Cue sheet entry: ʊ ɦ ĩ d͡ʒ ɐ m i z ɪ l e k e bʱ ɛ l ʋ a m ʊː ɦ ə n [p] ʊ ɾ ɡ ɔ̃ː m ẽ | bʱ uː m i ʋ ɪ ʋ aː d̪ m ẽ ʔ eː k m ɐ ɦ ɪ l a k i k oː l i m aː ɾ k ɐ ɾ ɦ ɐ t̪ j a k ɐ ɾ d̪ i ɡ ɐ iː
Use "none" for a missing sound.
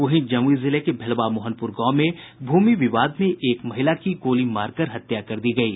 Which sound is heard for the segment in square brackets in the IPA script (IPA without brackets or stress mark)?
p